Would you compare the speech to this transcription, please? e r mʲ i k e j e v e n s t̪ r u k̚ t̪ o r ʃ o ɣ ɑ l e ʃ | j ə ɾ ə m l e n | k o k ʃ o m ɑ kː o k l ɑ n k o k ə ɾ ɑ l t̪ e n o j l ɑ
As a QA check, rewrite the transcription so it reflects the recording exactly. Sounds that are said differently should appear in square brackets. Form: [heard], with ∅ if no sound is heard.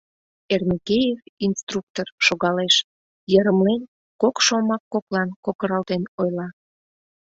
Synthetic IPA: e r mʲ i k e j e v [i] n s t̪ r u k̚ t̪ o r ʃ o ɣ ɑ l e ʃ | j ə ɾ ə m l e n | k o k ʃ o m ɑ kː o k l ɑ n k o k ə ɾ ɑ l t̪ e n o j l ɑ